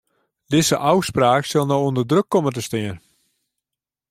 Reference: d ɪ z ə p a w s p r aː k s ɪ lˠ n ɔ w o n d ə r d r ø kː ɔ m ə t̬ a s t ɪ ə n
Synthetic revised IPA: d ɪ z ə ʔ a w s p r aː k s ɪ lˠ n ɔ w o n d ə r d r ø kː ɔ m ə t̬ ə s t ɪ ə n